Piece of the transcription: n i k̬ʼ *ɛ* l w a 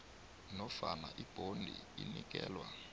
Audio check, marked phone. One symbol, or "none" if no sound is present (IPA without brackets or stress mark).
ɛː